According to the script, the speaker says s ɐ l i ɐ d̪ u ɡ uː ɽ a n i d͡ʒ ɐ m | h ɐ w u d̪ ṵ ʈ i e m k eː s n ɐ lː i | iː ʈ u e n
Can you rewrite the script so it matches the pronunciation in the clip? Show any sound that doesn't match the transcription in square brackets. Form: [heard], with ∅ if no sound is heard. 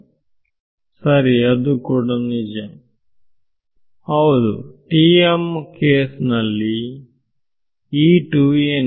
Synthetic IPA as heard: s ɐ [ɾ] i ɐ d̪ u [k] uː ɽ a n i d͡ʒ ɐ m | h ɐ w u d̪ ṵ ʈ i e m k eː s n ɐ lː i | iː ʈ u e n